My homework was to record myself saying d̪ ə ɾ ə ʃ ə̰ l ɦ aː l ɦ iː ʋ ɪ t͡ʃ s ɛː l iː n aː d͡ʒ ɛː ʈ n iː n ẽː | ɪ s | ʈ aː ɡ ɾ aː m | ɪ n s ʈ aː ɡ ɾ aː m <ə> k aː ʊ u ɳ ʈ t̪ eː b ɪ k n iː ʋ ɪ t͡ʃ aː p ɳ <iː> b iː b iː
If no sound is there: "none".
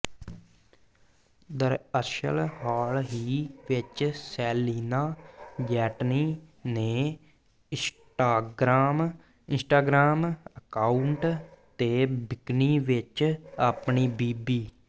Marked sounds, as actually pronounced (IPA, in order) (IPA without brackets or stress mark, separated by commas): ə, iː